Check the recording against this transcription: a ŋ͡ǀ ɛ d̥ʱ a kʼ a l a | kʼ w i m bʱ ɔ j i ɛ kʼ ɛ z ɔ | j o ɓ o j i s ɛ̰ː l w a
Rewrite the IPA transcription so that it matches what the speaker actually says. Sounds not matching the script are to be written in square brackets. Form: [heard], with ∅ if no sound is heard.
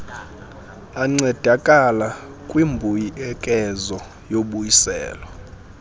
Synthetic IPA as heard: a ŋ͡ǀ ɛ d̥ʱ a kʼ a l a | kʼ w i m bʱ [u] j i ɛ kʼ ɛ z ɔ | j o ɓ [u] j i s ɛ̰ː l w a